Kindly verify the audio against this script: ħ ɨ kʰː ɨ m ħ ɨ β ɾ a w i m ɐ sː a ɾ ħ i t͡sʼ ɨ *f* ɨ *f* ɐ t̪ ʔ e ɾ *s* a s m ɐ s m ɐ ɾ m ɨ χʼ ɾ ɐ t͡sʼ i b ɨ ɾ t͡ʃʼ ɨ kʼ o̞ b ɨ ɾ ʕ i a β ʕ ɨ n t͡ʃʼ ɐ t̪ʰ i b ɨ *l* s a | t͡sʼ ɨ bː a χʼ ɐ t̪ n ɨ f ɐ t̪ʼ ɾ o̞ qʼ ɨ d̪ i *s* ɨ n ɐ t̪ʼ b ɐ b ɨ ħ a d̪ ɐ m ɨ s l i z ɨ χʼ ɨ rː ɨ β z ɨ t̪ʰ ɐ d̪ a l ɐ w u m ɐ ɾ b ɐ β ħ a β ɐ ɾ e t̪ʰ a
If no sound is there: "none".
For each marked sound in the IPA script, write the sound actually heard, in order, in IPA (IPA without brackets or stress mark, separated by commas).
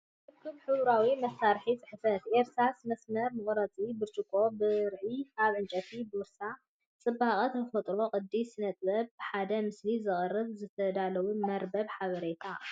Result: ħ, f, s, ɾ, s